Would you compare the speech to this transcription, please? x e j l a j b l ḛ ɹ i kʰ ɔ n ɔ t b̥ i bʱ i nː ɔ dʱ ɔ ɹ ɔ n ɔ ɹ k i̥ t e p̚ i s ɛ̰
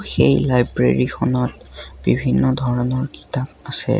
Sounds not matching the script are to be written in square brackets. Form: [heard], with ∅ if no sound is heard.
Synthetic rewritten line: x e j l a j b [ɹ] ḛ ɹ i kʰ ɔ n ɔ t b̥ i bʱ i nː ɔ dʱ ɔ ɹ ɔ n ɔ ɹ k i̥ t [a] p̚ [a] s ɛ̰

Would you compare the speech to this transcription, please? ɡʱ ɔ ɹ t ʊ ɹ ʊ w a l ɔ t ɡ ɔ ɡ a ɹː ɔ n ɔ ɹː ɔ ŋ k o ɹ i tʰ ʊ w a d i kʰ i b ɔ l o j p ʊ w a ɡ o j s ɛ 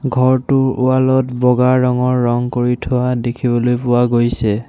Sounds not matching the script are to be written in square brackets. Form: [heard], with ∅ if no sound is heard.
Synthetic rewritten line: ɡʱ ɔ ɹ t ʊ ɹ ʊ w a l ɔ t [b] ɔ ɡ a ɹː ɔ [ŋ] ɔ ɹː ɔ ŋ k o ɹ i tʰ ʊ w a d [e] kʰ i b ɔ l o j p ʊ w a ɡ o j s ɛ

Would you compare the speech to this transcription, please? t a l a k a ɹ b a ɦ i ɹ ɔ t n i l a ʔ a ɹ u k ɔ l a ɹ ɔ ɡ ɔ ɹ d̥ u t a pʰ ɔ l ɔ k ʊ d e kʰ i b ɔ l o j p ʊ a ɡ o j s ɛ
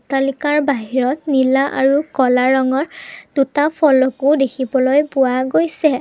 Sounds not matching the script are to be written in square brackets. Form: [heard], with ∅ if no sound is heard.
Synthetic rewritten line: t a l [i] k a ɹ b a ɦ i ɹ ɔ t n i l a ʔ a ɹ u k ɔ l a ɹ ɔ [ŋ] ɔ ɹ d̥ u t a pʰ ɔ l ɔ k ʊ d e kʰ i b ɔ l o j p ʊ a ɡ o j s ɛ

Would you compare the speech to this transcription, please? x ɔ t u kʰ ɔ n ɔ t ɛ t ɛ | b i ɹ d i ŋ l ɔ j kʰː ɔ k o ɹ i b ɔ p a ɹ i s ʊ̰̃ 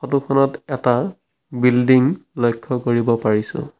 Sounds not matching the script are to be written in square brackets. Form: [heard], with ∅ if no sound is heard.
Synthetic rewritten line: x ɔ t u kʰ ɔ n ɔ t ɛ t [a] | b i [l] d i ŋ l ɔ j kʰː ɔ k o ɹ i b ɔ p a ɹ i s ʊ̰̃

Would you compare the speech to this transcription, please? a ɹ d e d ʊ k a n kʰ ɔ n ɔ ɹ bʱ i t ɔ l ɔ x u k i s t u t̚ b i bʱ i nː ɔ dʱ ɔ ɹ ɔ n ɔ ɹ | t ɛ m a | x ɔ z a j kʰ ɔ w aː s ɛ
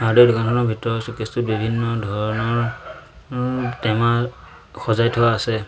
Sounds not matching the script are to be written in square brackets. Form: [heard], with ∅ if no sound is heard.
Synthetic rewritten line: a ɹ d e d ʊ k a n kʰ ɔ n ɔ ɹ bʱ i t ɔ [ɹ] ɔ [s] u k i s t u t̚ b i bʱ i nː ɔ dʱ ɔ ɹ ɔ n ɔ ɹ | t ɛ m a | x ɔ z a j [tʰ] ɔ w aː s ɛ

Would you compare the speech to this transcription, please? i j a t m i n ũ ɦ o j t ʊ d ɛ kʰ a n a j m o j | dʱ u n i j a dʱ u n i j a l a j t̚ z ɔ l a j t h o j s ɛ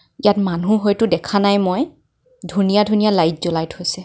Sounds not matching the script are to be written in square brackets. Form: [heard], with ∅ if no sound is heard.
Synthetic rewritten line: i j a t m [a] n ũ ɦ o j t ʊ d ɛ kʰ a n a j m o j | dʱ u n i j a dʱ u n i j a l a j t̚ z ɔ l a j t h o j s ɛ

